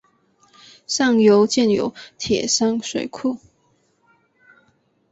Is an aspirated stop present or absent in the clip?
present